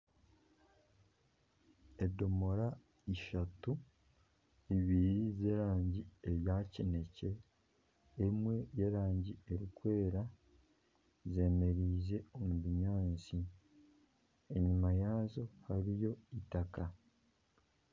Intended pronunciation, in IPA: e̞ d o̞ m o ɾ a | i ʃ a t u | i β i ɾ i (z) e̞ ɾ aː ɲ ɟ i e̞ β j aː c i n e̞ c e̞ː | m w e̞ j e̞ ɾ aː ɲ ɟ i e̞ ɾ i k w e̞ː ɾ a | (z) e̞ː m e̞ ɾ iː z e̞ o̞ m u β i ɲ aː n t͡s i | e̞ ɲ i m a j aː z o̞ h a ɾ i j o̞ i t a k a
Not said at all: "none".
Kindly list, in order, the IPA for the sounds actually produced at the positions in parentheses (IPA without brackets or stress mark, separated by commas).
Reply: z, z